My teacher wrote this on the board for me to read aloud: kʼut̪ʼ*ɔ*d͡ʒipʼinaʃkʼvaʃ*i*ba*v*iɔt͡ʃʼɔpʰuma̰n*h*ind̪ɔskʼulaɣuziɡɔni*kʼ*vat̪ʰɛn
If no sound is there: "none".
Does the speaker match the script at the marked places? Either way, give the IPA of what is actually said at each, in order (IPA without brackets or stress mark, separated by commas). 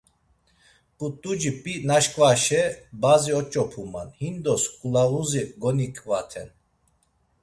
u, ɛ, z, h, kʼ